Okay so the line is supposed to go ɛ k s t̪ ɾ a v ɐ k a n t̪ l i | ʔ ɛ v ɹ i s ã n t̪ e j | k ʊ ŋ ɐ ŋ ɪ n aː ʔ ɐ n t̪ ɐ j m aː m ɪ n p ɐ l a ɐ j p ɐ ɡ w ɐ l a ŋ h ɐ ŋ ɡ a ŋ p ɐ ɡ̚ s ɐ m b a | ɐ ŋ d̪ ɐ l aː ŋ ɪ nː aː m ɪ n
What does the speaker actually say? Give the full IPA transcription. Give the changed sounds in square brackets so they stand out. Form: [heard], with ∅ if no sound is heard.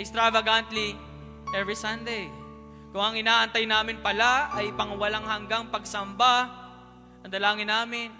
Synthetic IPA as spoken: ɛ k s t̪ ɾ a v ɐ [ɡ] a n t̪ l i | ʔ ɛ v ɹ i s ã n [d̪] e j | k ʊ ŋ ɐ ŋ ɪ n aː ʔ ɐ n t̪ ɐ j [n] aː m ɪ n p ɐ l a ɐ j p ɐ [ŋ] w ɐ l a ŋ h ɐ ŋ ɡ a ŋ p ɐ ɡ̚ s ɐ m b a | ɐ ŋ d̪ ɐ l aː ŋ ɪ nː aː m ɪ n